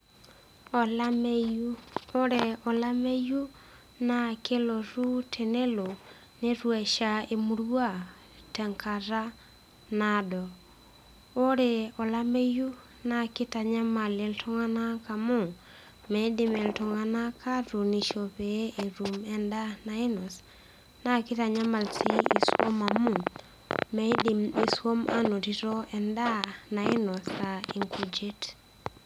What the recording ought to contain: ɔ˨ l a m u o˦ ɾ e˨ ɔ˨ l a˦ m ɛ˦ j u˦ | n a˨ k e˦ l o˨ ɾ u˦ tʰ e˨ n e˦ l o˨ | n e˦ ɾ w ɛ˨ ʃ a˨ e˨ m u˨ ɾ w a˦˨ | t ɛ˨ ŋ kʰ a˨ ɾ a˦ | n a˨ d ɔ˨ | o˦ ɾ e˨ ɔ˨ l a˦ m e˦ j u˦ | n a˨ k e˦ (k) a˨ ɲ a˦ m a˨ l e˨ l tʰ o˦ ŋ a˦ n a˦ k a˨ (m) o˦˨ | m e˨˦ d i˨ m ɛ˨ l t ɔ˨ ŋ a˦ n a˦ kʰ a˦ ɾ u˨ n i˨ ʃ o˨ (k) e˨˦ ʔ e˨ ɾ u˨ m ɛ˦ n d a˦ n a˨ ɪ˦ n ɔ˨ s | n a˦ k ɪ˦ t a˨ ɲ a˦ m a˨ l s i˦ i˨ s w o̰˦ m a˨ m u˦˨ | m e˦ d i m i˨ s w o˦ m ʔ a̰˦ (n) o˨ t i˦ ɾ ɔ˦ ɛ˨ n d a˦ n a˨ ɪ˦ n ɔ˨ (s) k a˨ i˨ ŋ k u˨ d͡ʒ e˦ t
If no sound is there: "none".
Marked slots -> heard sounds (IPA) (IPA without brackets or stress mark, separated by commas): t, m, p, n, s